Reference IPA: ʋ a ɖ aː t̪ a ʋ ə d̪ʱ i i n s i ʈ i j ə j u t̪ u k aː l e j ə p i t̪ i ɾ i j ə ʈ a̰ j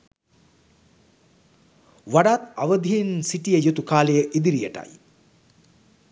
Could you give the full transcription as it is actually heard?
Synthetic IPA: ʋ a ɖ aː t̪ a ʋ ə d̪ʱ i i n s i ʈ i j ə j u t̪ u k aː l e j ə ʔ i d̪ i ɾ i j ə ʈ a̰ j